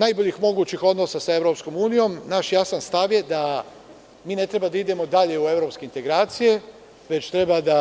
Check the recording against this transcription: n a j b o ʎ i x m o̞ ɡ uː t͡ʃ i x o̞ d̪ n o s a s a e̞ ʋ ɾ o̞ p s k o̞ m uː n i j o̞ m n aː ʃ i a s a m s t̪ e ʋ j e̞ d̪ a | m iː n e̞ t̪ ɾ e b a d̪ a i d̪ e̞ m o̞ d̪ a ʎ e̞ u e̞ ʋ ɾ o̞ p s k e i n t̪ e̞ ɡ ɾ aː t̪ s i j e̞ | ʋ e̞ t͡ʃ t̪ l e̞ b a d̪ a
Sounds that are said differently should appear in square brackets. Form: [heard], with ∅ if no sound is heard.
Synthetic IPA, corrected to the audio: n a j b o ʎ i x m o̞ ɡ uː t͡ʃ i x o̞ d̪ n o s a s a e̞ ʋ ɾ o̞ p s k o̞ m uː n i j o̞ m n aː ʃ [j] a s a [n] s t̪ [a] ʋ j e̞ d̪ a | m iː n e̞ t̪ ɾ e b a d̪ a i d̪ e̞ m o̞ d̪ a ʎ e̞ u e̞ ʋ ɾ o̞ p s k e i n t̪ e̞ ɡ ɾ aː t̪ s i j e̞ | ʋ e̞ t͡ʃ t̪ [ɾ] e̞ b a d̪ a